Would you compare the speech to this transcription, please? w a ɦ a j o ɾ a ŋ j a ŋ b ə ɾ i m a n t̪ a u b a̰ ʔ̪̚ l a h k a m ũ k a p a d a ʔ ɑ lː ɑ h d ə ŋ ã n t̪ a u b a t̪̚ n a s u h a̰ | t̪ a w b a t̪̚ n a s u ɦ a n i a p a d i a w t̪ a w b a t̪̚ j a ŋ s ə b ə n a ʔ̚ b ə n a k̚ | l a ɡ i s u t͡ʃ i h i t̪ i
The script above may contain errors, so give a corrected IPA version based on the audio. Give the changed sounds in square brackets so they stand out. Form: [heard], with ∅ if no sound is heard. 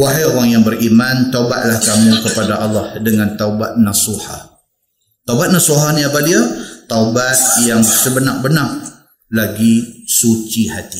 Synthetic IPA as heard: w a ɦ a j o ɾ a ŋ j a ŋ b ə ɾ i m a n t̪ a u b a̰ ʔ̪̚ l a h k a m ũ k [ə] p a d a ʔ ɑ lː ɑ h d ə ŋ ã n t̪ a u b a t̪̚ n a s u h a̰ | t̪ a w b a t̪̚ n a s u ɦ a n i a p a d i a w t̪ a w b a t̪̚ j a ŋ s ə b ə n a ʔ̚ b ə n a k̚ | l a ɡ i s u t͡ʃ i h [a] t̪ i